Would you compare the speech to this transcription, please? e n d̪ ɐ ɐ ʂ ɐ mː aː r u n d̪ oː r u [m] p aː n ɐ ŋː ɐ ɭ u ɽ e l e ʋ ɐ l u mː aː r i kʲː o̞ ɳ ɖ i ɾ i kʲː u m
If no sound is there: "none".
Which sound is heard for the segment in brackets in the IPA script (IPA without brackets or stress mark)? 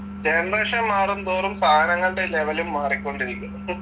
m